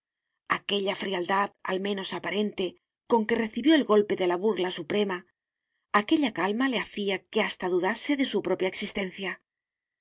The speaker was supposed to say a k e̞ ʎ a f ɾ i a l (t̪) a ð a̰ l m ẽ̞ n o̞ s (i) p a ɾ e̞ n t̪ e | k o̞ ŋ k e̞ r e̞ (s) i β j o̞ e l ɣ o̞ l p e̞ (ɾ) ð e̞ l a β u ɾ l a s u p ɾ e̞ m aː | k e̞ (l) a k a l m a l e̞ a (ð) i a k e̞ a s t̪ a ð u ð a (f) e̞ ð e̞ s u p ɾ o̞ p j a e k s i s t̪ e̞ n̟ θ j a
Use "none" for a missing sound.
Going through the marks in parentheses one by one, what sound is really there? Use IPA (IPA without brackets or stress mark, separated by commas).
d̪, a, θ, none, ʎ, θ, s